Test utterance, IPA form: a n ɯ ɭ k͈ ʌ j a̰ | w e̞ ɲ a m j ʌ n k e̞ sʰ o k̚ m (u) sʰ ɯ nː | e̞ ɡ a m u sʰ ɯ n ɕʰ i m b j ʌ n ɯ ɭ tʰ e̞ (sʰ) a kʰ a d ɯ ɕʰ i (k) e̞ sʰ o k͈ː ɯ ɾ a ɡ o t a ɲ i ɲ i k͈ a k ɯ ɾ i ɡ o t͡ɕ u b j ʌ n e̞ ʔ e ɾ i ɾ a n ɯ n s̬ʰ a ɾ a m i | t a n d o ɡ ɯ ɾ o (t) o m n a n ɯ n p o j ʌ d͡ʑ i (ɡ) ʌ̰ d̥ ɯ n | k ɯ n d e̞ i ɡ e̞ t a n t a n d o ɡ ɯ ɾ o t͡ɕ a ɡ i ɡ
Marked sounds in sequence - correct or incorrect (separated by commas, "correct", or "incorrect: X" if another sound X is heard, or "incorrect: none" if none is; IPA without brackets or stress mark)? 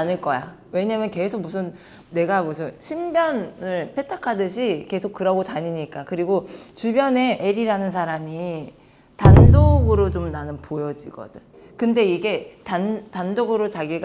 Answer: correct, incorrect: tʰ, correct, incorrect: t͡ɕ, correct